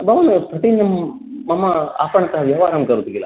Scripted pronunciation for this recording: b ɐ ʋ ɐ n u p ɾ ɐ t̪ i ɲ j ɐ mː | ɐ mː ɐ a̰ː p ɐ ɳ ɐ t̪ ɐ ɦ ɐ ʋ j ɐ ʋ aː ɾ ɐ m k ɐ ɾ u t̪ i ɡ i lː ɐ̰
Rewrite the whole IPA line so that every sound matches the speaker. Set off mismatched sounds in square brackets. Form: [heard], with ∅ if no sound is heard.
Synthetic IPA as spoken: b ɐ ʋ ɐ n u p ɾ ɐ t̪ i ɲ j ɐ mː | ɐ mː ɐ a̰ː p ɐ ɳ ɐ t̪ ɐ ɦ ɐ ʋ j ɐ ʋ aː ɾ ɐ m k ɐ ɾ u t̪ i ɡ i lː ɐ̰